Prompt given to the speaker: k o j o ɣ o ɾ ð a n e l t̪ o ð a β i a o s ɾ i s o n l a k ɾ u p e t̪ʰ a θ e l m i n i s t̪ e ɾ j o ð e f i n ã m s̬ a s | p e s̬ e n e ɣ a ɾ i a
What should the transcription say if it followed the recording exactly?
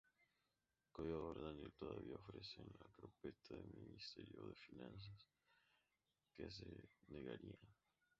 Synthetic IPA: k o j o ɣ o ɾ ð a n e l t̪ o ð a β i a o f ɾ e s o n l a k ɾ o p e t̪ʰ a ð e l m i n i s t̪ e ɾ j o ð e f i n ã n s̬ a s | k e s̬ e n e ɣ a ɾ i a

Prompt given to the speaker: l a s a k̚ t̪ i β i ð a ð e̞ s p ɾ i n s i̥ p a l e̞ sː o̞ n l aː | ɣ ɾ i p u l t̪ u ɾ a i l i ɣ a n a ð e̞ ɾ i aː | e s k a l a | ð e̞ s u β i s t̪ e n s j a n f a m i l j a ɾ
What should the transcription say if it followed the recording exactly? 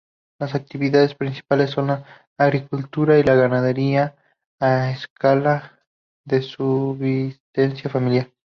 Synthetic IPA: l a s a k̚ t̪ i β i ð a ð e̞ s p ɾ i n s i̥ p a l e̞ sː o̞ n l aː | ɣ ɾ i k u l t̪ u ɾ a i l a ɣ a n a ð e̞ ɾ i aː | e s k a l a | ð e̞ s u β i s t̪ e n s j a f a m i l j a ɾ

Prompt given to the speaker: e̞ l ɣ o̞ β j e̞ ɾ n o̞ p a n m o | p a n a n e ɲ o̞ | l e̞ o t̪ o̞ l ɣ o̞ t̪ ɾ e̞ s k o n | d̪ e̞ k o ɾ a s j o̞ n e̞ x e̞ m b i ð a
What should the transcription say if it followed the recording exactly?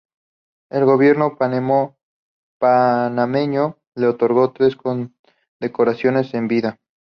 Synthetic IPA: e̞ l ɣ o̞ β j e̞ ɾ n o̞ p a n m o | p a n a m e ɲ o̞ | l e̞ o t̪ o̞ ɾ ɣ o̞ t̪ ɾ e̞ s k o n | d̪ e̞ k o ɾ a s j o̞ n e̞ s e̞ m b i ð a

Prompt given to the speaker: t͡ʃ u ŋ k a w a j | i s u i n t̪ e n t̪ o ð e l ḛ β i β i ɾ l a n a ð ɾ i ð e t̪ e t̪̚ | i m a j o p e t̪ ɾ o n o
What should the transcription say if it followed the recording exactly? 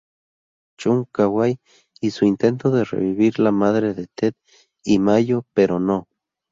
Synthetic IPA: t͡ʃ u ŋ k a w a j | i s u i n t̪ e n t̪ o ð e r ḛ β i β i ɾ l a m a ð ɾ e ð e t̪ e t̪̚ | i m a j o p e ɾ o n o

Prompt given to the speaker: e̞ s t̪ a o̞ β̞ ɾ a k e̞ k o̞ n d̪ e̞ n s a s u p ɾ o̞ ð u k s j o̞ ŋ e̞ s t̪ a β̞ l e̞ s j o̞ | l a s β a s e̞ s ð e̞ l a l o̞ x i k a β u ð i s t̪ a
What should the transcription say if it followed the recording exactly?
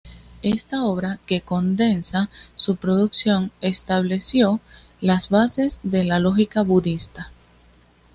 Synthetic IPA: e̞ s t̪ a o̞ β̞ ɾ a k e̞ k o̞ n d̪ e̞ n s a s u p ɾ o̞ ð u k s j o̞ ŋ e̞ s t̪ a β̞ l e̞ s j o̞ | l a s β a s e̞ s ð e̞ l a l o̞ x i k a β u ð i s t̪ a

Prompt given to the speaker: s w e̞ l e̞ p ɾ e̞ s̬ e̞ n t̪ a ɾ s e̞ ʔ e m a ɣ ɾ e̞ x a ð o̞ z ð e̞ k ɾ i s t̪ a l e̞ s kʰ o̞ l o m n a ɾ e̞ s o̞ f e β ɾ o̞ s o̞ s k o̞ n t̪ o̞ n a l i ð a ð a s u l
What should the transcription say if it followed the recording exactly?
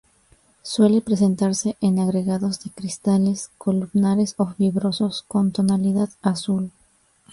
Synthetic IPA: s w e̞ l e̞ p ɾ e̞ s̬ e̞ n t̪ a ɾ s e̞ ʔ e n a ɣ ɾ e̞ ɣ a ð o̞ z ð e̞ k ɾ i s t̪ a l e̞ s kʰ o̞ l u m n a ɾ e̞ s o̞ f i β ɾ o̞ s o̞ s k o̞ n t̪ o̞ n a l i ð a ð a s u l

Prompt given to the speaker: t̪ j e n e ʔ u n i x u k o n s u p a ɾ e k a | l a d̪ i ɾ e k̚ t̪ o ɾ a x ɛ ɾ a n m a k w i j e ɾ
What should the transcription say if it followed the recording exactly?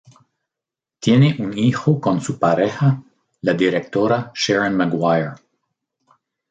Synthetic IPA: t̪ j e n e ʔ u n i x o k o n s u p a ɾ e x a | l a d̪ i ɾ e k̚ t̪ o ɾ a ʃ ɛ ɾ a n m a ɡ w a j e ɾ

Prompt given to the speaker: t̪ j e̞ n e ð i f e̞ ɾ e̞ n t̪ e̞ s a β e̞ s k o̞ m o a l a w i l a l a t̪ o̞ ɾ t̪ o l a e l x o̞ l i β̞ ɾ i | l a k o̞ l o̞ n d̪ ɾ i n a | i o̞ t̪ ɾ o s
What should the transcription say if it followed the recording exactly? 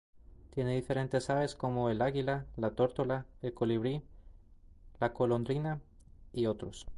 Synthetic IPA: t̪ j e̞ n e ð i f e̞ ɾ e̞ n t̪ e̞ s a β e̞ s k o̞ m o e l a ɣ i l a l a t̪ o̞ ɾ t̪ o l a e l k o̞ l i β̞ ɾ i | l a k o̞ l o̞ n d̪ ɾ i n a | i o̞ t̪ ɾ o s

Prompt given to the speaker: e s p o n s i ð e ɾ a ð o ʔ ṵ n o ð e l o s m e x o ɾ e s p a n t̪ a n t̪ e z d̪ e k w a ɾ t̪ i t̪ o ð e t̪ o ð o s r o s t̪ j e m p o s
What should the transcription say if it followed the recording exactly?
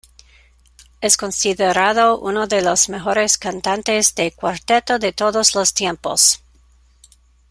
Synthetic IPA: e s k o n s i ð e ɾ a ð o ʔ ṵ n o ð e l o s m e x o ɾ e s k a n t̪ a n t̪ e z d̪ e k w a ɾ t̪ e t̪ o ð e t̪ o ð o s l o s t̪ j e m p o s

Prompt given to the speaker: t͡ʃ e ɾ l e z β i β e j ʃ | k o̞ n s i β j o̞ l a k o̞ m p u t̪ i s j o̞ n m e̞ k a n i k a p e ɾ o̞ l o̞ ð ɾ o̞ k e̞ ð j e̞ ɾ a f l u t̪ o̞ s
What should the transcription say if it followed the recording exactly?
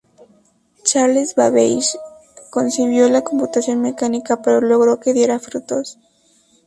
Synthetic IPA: t͡ʃ a ɾ l e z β a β e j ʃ | k o̞ n s i β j o̞ l a k o̞ m p u t̪ a s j o̞ n m e̞ k a n i k a p e ɾ o̞ l o̞ ɣ ɾ o̞ k e̞ ð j e̞ ɾ a f ɾ u t̪ o̞ s

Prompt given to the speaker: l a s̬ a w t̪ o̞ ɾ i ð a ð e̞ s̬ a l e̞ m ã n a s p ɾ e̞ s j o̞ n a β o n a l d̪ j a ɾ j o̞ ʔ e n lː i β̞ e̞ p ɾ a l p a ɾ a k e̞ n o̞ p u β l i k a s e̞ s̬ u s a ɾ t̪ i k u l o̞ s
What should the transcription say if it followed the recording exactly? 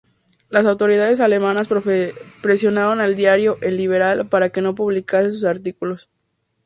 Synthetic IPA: l a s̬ a w t̪ o̞ ɾ i ð a ð e̞ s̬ a l e̞ m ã n a s p ɾ e̞ s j o̞ n a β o n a l d̪ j a ɾ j o̞ ʔ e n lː i β̞ e̞ ɾ a l p a ɾ a k e̞ n o̞ p u β l i k a s e̞ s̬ u s a ɾ t̪ i k u l o̞ s

